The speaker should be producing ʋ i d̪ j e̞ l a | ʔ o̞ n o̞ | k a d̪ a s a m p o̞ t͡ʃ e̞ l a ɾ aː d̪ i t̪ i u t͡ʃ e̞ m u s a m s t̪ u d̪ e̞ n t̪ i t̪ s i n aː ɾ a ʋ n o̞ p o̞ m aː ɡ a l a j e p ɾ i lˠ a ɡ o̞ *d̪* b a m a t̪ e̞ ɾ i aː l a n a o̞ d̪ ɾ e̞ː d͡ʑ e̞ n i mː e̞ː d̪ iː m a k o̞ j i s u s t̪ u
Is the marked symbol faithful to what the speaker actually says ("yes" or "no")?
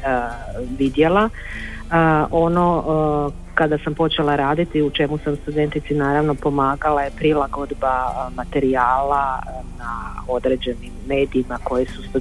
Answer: yes